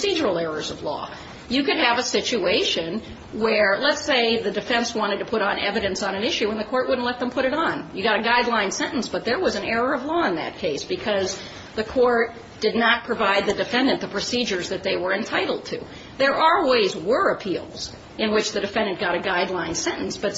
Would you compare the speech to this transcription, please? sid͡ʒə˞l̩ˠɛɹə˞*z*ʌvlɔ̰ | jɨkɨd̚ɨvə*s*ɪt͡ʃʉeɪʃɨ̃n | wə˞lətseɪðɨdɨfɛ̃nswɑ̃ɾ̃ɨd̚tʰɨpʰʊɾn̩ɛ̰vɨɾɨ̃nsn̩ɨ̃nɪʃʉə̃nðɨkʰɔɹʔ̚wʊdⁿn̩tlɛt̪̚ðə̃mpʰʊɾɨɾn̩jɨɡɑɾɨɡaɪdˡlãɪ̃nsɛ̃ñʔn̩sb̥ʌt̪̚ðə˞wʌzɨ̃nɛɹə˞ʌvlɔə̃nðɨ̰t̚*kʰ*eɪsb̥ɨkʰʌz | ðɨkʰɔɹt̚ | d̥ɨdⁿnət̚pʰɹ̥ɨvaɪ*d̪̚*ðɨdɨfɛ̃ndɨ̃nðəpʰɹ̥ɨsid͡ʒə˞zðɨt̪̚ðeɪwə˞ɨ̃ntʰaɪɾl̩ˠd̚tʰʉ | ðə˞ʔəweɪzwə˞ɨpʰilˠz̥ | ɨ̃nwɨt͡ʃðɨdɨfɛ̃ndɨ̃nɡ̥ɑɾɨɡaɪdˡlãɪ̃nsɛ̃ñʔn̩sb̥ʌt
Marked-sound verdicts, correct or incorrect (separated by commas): correct, correct, correct, correct